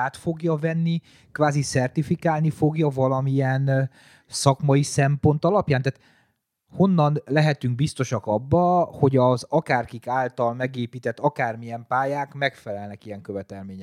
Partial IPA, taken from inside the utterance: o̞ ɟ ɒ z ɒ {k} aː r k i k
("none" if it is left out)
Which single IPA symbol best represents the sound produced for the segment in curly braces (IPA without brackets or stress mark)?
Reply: k